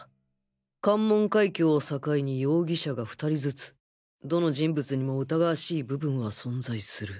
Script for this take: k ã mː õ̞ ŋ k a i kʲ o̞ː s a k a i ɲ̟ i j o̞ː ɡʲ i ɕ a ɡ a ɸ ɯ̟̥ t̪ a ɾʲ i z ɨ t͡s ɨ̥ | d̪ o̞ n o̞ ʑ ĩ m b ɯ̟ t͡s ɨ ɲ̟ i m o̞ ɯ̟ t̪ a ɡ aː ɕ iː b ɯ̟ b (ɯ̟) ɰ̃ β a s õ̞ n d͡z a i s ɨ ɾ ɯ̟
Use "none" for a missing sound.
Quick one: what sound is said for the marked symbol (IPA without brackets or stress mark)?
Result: ɯ̟̃